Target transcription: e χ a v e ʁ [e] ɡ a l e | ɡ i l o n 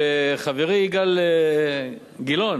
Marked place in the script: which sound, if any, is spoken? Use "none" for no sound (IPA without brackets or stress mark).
i